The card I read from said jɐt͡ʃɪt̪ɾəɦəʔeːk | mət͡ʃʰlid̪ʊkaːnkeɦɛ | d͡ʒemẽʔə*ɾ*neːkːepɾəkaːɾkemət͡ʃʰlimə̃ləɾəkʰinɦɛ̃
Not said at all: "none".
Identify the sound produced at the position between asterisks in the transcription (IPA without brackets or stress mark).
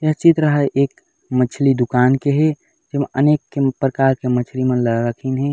none